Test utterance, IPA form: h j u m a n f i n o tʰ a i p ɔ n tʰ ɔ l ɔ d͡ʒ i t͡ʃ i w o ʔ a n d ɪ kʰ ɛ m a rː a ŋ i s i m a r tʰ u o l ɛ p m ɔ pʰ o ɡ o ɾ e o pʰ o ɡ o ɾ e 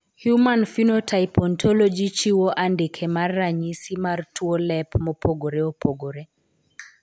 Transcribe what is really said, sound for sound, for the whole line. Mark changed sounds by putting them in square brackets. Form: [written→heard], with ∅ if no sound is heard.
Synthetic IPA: h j u m a n f i n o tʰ a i p ɔ n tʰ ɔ l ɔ d͡ʒ i t͡ʃ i w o ʔ a n d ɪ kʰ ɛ m a rː a [ŋ→ɲ] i s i m a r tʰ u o l ɛ p m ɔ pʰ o ɡ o ɾ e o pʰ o ɡ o ɾ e